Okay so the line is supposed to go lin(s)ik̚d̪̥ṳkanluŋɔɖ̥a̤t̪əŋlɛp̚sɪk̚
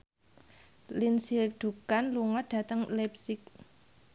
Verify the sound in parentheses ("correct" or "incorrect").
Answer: correct